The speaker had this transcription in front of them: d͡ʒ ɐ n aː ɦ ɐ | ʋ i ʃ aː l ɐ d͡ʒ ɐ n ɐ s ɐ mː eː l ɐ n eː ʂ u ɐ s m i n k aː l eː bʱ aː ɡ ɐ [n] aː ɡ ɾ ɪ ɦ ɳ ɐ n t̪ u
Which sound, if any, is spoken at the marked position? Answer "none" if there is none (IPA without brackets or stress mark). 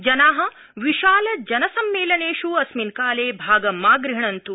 m